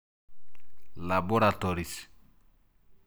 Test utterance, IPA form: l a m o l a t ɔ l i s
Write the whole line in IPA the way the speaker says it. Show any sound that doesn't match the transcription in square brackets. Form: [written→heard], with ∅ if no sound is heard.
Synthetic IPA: l a [m→b] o [l→ɾ] a t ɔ [l→ɾ] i s